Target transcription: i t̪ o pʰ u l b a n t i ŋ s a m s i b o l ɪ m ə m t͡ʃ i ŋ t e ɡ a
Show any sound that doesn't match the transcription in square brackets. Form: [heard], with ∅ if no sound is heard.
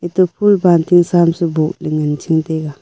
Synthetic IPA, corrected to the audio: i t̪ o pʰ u l b a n t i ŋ s a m s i b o l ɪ [ŋ] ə [n] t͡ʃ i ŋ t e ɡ a